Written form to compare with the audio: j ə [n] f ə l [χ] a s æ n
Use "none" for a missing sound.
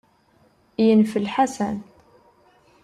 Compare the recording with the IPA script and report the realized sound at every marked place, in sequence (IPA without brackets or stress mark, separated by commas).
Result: n, ħ